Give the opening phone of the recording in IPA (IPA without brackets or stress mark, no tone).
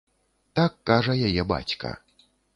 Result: t̪